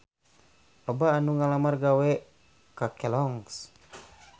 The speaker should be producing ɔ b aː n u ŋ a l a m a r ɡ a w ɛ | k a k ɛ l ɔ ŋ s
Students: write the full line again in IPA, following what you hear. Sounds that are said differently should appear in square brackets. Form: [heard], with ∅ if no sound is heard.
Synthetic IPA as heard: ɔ b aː n u ŋ a l a m a r ɡ a w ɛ | k a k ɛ l ɔ ŋ s